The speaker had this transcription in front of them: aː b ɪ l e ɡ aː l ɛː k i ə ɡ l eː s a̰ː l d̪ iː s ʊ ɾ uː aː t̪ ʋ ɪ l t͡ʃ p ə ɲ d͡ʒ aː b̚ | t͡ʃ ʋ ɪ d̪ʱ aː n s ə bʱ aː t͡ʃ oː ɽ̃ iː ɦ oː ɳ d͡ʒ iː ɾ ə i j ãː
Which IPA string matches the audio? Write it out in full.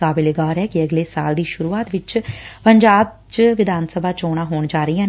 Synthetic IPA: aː b ɪ l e ɡ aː ɾ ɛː k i ə ɡ l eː s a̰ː l d̪ iː ʃ ʊ ɾ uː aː t̪ ʋ ɪ t͡ʃ p ə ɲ d͡ʒ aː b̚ | t͡ʃ ʋ ɪ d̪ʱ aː n s ə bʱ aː t͡ʃ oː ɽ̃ aː ɦ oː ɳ d͡ʒ aː ɾ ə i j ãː